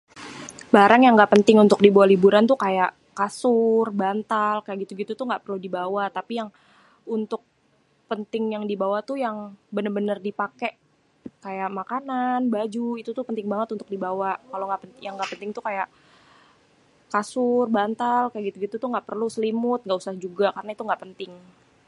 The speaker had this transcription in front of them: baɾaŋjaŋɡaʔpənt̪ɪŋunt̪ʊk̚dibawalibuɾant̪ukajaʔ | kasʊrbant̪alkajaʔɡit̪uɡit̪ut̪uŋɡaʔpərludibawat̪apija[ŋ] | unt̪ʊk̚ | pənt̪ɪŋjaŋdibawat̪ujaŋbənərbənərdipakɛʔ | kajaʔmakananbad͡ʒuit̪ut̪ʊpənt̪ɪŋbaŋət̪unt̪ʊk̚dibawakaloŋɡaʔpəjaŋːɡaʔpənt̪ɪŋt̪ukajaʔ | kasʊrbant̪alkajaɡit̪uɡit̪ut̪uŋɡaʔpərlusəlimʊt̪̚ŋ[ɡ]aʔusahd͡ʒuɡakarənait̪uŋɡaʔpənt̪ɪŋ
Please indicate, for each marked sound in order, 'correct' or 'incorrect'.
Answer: correct, correct

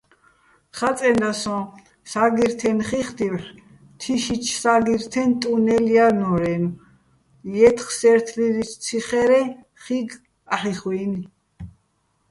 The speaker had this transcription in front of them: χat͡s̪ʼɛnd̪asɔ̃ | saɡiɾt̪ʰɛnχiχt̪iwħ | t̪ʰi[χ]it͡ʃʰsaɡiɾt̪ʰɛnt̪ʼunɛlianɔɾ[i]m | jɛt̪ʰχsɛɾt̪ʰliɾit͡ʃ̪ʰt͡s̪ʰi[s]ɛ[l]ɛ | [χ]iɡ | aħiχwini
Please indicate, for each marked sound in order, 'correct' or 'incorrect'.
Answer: incorrect, incorrect, incorrect, incorrect, correct

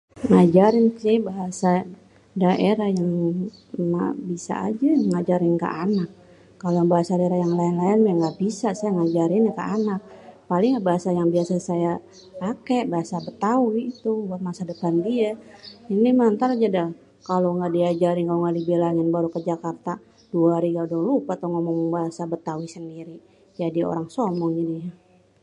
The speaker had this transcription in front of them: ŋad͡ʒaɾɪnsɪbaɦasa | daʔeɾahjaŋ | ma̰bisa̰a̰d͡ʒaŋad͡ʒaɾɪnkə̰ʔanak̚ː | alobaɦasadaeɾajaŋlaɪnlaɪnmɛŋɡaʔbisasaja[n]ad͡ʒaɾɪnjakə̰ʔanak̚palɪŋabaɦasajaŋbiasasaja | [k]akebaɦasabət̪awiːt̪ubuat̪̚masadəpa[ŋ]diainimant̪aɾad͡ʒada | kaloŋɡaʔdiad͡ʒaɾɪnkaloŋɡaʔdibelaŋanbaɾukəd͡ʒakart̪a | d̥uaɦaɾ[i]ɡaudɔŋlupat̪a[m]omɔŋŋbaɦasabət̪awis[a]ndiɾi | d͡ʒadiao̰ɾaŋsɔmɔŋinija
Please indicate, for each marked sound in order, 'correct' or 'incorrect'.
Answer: incorrect, incorrect, incorrect, correct, incorrect, incorrect

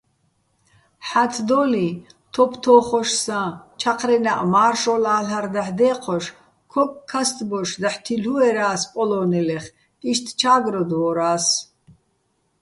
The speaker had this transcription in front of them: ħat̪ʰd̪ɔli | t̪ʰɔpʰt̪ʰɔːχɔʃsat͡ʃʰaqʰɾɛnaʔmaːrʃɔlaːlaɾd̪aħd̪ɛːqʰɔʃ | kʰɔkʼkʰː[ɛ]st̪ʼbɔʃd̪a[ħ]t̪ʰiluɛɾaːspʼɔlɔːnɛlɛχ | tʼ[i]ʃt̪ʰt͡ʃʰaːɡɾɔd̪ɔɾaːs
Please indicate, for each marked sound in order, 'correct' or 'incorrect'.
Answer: incorrect, correct, correct

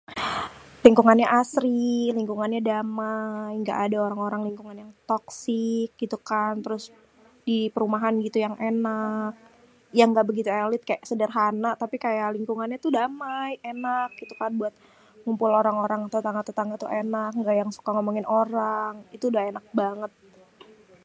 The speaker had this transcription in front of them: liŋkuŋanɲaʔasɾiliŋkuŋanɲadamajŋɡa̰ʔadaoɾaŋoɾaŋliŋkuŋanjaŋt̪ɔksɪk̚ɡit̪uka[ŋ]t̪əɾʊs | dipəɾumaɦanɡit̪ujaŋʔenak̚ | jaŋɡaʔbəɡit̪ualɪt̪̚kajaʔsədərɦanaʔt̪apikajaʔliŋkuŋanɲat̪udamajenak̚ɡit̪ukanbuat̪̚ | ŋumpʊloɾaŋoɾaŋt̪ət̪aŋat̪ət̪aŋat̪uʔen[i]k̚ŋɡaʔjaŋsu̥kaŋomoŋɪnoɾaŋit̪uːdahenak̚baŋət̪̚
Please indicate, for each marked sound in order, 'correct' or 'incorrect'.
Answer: incorrect, incorrect

